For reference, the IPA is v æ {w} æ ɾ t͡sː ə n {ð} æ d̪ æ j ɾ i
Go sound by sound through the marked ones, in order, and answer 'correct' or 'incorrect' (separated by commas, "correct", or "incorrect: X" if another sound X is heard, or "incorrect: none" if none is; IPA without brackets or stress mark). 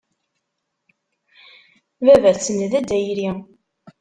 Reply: incorrect: v, correct